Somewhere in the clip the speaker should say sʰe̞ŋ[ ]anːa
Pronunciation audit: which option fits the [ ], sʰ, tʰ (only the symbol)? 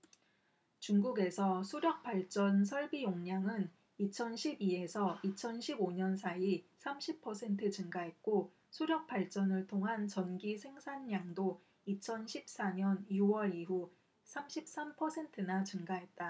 sʰ